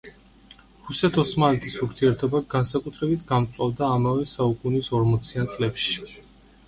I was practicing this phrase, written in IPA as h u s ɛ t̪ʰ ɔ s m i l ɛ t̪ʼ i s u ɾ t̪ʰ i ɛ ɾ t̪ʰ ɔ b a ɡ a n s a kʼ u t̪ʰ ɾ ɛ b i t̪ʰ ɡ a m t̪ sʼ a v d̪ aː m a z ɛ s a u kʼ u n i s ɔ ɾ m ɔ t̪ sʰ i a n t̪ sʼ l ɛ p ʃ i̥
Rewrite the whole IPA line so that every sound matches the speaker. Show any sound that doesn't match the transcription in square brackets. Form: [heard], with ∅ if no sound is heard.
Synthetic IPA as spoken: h u s ɛ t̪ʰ ɔ s m [a] l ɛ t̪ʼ i s u ɾ t̪ʰ i ɛ ɾ t̪ʰ ɔ b a ɡ a n s a kʼ u t̪ʰ ɾ ɛ b i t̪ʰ ɡ a m t̪ sʼ a v d̪ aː m a [v] ɛ s a u kʼ u n i s ɔ ɾ m ɔ t̪ sʰ i a n t̪ sʼ l ɛ p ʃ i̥

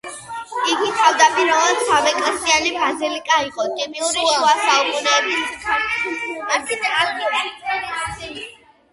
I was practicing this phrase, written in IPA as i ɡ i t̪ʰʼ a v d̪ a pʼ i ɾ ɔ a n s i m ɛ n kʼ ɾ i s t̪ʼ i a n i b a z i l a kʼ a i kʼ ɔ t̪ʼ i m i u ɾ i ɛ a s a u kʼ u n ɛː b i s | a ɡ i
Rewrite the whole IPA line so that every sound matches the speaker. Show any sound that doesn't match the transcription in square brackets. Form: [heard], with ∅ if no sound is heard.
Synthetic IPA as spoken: i ɡ i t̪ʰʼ a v d̪ a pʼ i ɾ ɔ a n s [a] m ɛ [∅] kʼ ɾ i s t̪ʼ i a n i b a z i l [i] kʼ a i [qʼ] ɔ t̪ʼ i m i u ɾ i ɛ a s a u kʼ u n ɛː b i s | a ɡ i

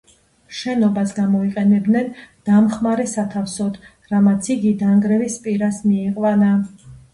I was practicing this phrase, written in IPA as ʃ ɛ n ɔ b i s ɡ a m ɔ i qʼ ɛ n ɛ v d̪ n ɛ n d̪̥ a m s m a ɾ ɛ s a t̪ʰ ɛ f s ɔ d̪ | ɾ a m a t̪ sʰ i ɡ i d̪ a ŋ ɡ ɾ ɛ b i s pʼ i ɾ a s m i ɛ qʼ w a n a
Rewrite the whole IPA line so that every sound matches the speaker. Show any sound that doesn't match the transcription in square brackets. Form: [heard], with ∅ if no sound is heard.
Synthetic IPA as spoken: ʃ ɛ n ɔ b [a] s ɡ a m ɔ i qʼ ɛ n ɛ [b] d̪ n ɛ n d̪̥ a m [χ] m a ɾ ɛ s a t̪ʰ [a] f s ɔ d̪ | ɾ a m a t̪ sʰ i ɡ i d̪ a ŋ ɡ ɾ ɛ [v] i s pʼ i ɾ a s m i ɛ qʼ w a n a

